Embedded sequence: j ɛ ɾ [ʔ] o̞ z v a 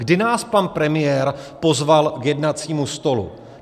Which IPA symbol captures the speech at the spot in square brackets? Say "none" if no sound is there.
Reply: p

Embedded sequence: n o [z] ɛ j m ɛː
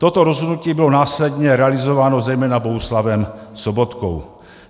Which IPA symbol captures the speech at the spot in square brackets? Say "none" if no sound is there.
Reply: z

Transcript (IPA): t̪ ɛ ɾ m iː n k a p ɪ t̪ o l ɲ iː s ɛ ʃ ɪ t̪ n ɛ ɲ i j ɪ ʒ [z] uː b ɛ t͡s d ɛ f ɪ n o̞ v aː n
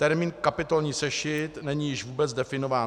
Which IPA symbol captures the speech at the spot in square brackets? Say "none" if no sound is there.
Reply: v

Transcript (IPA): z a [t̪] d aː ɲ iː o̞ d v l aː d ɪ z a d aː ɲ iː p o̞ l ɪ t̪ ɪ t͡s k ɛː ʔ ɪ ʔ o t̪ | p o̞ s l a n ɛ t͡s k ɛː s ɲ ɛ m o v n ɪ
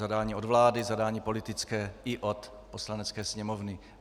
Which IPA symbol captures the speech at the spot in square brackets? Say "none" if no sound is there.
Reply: none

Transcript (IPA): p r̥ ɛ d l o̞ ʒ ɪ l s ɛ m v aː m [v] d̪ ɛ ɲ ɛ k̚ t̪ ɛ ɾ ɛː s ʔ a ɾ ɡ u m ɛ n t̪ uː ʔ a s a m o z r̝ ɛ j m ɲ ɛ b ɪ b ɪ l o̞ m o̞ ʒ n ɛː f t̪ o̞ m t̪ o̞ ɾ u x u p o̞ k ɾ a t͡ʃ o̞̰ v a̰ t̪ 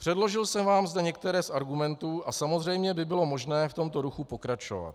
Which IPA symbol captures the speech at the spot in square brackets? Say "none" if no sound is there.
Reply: z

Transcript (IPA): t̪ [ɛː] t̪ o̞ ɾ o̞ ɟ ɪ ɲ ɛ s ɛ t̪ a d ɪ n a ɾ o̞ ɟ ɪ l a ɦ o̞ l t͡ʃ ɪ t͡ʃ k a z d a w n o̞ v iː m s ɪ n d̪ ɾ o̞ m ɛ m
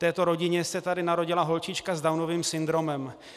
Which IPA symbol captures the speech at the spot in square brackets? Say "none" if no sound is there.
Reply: ɛː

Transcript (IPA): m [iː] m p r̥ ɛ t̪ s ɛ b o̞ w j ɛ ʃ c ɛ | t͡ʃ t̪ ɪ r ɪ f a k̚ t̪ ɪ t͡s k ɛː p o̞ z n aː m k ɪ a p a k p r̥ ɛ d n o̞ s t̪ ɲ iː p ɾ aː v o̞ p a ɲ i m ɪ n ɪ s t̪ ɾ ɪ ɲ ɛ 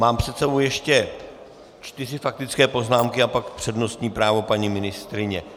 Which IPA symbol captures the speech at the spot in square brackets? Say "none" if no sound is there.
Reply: aː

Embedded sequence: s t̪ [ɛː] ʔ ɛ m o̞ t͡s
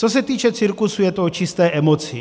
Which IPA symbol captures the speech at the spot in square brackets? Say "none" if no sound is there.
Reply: ɛː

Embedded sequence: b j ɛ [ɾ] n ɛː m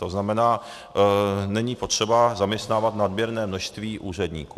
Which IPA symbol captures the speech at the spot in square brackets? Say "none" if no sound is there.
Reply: ɾ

